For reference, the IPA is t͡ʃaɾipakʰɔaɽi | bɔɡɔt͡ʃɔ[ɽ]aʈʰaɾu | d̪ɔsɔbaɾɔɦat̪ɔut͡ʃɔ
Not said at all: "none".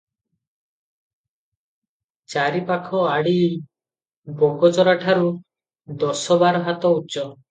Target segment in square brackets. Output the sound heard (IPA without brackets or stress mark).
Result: ɾ